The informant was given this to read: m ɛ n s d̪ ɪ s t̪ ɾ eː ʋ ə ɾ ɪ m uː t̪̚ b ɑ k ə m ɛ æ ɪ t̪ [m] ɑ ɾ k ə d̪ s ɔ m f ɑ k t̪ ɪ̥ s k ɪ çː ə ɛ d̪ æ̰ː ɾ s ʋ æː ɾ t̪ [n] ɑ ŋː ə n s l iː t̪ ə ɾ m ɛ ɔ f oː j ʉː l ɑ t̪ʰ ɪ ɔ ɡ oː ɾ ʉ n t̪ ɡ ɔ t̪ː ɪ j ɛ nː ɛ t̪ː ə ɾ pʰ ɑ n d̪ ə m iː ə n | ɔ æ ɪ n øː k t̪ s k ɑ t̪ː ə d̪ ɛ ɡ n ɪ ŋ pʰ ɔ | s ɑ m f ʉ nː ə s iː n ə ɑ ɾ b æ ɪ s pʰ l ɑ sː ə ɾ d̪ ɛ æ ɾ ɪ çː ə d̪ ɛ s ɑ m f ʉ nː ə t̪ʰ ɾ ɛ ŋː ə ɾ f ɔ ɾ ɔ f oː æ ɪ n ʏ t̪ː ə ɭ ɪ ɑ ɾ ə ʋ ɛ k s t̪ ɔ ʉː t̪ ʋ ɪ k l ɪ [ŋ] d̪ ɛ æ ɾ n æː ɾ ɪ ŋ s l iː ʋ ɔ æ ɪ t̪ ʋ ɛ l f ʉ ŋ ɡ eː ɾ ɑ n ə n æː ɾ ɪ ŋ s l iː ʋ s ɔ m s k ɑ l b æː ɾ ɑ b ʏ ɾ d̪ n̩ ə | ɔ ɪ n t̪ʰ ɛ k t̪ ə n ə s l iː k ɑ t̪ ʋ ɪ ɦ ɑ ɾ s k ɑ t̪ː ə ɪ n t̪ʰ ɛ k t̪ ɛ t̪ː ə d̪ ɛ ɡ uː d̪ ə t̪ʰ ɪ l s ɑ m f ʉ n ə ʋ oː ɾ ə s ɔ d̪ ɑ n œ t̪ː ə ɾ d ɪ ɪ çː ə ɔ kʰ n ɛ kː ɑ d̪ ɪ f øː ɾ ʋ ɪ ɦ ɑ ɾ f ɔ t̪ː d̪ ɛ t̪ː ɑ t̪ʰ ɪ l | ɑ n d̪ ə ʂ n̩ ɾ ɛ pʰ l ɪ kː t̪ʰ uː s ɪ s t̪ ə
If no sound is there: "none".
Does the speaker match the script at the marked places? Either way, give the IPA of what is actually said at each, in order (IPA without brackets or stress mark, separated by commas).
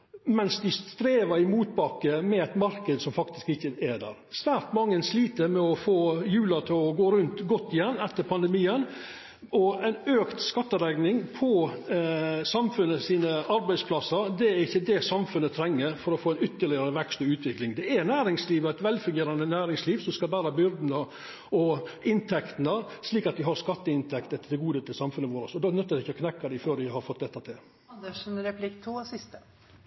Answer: m, m, ŋ